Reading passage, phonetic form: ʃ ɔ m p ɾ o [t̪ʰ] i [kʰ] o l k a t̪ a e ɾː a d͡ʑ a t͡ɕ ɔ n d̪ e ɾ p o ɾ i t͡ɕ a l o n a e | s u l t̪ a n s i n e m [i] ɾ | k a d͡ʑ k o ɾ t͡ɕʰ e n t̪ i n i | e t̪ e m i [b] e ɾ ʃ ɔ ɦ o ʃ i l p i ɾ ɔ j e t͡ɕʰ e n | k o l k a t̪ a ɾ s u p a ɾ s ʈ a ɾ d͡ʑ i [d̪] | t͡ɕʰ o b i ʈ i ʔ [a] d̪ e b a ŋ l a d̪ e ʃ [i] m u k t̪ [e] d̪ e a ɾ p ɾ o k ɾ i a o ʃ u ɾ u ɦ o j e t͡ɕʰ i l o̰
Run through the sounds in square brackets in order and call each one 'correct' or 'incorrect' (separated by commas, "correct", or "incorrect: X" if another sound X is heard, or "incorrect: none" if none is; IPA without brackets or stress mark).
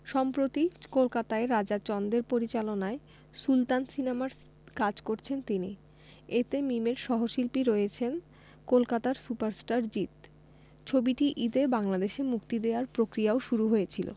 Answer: incorrect: t̪, incorrect: k, incorrect: a, incorrect: m, incorrect: t̪, incorrect: i, incorrect: e, incorrect: i